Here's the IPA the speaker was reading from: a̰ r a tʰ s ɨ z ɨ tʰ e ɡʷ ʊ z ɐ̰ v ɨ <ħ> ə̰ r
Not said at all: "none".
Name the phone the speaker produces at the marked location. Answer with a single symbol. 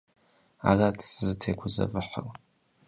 ħ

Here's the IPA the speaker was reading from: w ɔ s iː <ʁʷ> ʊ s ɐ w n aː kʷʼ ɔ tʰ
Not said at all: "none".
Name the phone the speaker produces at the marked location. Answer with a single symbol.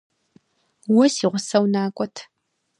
ʁʷ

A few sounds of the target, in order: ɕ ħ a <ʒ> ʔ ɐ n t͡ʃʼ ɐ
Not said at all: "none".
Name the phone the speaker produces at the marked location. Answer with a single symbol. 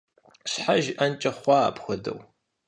ʒ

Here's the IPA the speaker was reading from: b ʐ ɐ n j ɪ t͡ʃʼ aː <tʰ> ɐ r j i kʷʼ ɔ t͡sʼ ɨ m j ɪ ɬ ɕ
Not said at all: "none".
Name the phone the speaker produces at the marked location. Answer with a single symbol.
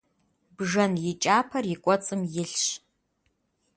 pʰ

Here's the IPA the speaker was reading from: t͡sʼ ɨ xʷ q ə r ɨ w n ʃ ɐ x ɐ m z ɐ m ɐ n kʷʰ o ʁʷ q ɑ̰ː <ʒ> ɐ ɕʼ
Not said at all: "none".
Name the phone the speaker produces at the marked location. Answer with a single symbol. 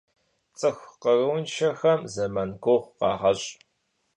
ʁ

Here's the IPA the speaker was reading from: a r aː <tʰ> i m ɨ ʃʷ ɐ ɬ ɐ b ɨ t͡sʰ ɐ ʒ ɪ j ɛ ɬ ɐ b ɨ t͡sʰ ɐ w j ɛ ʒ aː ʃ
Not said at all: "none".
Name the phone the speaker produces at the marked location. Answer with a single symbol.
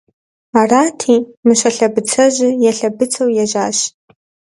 tʰ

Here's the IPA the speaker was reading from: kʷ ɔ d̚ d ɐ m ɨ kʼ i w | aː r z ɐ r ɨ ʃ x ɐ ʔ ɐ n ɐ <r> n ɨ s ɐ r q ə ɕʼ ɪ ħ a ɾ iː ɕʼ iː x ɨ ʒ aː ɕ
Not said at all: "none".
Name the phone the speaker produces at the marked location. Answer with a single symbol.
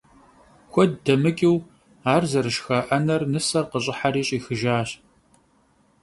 r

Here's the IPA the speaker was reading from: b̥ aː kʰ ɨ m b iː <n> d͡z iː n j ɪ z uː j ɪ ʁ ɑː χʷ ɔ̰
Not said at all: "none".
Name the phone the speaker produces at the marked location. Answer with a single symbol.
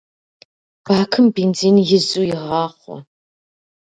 n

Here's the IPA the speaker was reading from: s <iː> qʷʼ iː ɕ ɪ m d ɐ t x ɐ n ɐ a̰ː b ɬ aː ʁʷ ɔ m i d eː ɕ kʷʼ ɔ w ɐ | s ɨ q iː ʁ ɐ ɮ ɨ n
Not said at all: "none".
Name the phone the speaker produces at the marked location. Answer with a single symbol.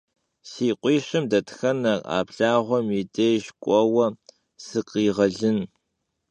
iː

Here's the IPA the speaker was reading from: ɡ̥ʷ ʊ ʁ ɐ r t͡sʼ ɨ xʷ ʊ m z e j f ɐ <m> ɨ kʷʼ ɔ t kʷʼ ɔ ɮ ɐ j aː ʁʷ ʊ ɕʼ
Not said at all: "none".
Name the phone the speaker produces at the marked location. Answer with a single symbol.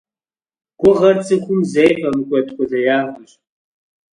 m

